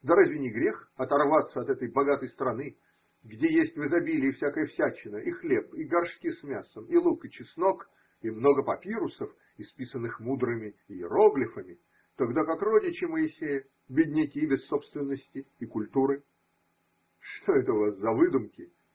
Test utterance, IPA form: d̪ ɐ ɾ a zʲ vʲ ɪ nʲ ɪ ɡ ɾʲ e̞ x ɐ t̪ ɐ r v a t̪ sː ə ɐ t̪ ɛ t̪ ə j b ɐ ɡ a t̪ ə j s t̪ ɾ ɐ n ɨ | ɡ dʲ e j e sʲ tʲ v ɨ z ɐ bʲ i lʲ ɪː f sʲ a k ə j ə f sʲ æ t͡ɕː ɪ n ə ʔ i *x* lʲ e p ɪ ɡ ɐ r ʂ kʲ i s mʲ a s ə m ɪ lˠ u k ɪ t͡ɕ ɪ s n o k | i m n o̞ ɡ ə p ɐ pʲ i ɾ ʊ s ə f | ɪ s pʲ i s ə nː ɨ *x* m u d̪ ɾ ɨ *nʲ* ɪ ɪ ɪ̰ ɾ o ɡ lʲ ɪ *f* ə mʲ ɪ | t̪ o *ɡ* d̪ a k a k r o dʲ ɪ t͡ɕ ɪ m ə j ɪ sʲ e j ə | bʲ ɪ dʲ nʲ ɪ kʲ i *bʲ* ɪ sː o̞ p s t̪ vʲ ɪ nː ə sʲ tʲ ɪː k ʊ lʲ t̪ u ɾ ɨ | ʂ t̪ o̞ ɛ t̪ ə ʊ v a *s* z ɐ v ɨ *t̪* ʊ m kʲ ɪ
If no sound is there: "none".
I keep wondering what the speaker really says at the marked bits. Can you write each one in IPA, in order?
x, x, mʲ, f, ɡ, bʲ, s, d̪

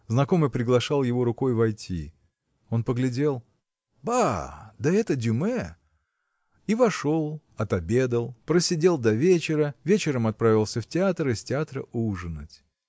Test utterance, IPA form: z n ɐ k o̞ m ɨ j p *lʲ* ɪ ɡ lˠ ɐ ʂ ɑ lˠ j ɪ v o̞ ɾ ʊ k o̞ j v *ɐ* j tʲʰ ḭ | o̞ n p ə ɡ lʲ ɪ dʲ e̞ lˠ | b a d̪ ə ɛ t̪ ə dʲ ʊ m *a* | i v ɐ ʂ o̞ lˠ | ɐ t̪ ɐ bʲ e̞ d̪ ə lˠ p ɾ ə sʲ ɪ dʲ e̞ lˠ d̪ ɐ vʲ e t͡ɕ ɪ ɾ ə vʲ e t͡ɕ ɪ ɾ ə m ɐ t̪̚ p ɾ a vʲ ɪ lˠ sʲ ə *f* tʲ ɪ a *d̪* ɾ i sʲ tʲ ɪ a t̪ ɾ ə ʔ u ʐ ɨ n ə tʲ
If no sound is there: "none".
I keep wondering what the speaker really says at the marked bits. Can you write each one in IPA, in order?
ɾʲ, ɐ, ɛ, f, t̪

